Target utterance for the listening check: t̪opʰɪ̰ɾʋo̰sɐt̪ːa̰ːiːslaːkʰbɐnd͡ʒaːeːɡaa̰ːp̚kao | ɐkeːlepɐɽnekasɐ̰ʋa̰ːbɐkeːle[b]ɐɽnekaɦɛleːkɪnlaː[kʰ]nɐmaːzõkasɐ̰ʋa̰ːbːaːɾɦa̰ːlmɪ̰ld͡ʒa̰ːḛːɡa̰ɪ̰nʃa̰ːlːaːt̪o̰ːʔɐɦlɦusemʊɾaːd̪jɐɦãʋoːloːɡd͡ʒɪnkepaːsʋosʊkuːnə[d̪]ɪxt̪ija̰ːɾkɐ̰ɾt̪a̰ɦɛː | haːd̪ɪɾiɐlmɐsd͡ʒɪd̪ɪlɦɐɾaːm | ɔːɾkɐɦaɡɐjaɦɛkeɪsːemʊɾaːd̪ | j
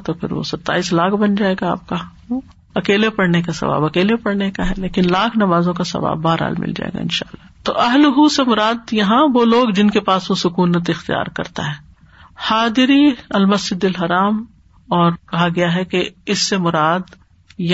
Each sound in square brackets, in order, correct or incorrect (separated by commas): incorrect, correct, incorrect